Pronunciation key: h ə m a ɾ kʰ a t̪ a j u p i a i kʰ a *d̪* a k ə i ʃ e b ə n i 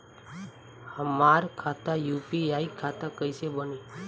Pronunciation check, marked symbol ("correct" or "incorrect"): incorrect